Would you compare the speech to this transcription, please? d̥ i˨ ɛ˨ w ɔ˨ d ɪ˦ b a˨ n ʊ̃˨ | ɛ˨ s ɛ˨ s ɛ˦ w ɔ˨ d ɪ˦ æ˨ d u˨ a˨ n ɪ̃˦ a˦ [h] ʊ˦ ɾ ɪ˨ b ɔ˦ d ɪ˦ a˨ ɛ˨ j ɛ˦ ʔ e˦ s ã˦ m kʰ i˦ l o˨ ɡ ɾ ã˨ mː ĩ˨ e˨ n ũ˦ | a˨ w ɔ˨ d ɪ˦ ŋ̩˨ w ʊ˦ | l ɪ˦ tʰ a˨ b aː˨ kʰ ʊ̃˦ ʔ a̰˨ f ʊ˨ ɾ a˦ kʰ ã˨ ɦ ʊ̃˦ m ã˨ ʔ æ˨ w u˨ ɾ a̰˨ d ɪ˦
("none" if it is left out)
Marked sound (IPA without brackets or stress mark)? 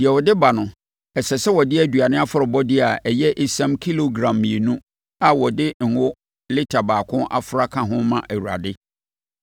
f